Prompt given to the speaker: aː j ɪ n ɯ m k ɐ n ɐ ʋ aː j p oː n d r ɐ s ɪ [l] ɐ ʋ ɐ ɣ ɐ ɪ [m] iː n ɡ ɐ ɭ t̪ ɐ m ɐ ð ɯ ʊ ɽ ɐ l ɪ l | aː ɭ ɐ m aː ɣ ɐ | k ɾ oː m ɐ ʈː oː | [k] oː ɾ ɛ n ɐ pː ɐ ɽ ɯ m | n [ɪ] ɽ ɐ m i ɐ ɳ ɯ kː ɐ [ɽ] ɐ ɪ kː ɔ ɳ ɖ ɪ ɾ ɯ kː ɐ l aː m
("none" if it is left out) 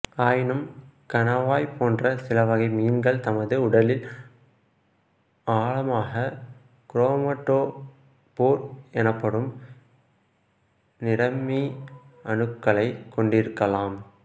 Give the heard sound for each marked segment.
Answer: l, m, p, ɪ, ɭ

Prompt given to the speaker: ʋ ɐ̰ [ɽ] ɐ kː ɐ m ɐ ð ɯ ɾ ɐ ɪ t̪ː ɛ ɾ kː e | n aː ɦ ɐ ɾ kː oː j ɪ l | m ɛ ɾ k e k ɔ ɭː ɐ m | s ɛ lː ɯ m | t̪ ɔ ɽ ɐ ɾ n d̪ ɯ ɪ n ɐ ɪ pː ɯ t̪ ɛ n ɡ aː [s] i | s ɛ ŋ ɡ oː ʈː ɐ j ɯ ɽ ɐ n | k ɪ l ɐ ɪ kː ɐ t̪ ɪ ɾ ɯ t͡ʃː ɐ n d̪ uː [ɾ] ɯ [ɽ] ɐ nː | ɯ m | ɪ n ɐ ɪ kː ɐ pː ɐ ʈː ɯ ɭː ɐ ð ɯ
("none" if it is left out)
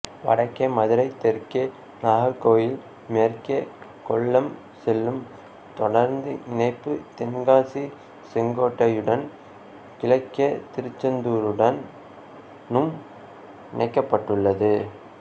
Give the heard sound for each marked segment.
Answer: ɽ, s, ɾ, ɽ

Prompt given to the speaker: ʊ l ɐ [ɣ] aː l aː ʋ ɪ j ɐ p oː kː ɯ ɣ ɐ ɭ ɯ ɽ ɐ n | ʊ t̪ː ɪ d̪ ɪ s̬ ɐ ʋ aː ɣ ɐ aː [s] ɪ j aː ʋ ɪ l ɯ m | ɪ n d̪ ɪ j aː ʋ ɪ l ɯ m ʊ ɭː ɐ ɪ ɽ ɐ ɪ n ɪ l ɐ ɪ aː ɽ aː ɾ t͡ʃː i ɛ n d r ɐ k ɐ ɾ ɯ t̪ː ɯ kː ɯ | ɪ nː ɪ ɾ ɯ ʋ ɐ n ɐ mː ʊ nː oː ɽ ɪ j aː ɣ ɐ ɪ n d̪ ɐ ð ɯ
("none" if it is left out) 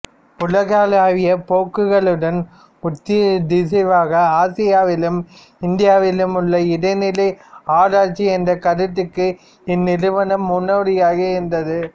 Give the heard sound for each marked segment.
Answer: ɣ, s

